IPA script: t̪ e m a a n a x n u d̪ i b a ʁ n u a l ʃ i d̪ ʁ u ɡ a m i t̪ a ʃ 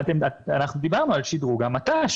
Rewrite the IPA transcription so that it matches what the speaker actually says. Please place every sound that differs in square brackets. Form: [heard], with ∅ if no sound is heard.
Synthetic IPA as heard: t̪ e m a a n a [χ] n u d̪ i b a ʁ n u a l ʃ i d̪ ʁ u ɡ a m [a] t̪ a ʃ